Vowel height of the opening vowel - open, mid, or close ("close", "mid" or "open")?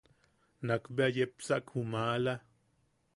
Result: open